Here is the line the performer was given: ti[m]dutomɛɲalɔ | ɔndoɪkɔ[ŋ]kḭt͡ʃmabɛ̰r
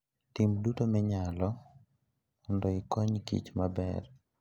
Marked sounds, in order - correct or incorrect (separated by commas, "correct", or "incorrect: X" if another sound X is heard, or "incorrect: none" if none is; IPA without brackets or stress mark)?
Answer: correct, incorrect: ɲ